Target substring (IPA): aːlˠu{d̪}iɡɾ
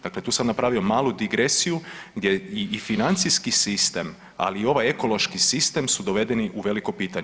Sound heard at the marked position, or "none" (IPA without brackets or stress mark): d̪